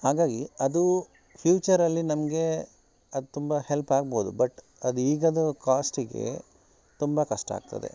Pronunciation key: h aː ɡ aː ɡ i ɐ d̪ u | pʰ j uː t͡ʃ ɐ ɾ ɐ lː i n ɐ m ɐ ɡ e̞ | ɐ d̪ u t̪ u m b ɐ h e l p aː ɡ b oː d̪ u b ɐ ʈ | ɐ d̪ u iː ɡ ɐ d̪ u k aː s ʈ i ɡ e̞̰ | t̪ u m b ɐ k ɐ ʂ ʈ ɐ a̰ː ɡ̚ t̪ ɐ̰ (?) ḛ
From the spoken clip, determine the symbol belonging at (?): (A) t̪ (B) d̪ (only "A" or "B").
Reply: B